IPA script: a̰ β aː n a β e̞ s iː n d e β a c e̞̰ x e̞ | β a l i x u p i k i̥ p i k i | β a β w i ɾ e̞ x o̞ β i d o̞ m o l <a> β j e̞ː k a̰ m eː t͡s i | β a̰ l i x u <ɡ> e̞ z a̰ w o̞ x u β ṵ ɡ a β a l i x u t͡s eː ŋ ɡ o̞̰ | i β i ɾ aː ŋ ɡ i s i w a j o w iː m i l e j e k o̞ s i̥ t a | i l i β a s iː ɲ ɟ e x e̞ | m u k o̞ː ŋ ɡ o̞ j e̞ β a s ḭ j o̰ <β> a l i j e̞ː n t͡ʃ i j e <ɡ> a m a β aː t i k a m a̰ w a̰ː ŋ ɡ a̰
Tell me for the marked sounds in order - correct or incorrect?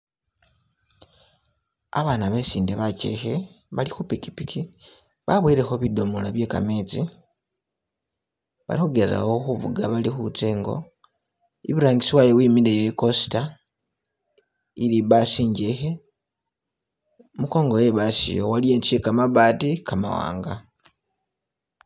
correct, correct, incorrect: w, incorrect: k

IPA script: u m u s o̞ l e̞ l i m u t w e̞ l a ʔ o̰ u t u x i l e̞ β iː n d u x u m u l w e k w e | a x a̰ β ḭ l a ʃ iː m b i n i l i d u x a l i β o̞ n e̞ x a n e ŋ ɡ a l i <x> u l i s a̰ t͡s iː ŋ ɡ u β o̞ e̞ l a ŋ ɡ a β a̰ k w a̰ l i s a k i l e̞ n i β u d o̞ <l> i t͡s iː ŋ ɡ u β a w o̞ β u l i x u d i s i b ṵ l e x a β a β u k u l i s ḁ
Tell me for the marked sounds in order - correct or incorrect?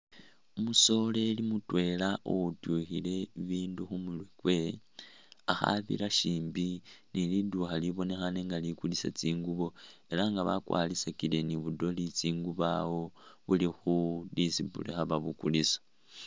incorrect: k, correct

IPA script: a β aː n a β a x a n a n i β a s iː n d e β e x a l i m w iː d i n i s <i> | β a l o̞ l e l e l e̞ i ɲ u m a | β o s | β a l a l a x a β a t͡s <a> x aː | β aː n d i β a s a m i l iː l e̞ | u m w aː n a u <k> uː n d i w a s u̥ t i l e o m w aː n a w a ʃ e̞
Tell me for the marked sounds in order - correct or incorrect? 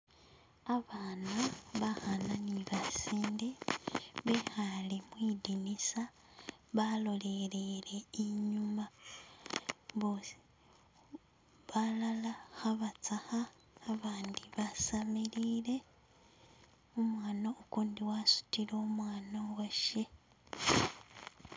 incorrect: a, correct, correct

